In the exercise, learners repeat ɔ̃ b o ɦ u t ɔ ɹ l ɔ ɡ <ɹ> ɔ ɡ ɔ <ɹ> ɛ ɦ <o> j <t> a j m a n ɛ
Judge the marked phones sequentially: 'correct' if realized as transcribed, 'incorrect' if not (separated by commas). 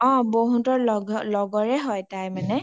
incorrect, correct, incorrect, correct